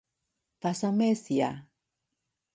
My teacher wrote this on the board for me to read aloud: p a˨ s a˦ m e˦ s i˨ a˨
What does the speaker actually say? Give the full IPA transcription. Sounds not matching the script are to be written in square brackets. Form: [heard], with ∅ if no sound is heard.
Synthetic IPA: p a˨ s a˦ m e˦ s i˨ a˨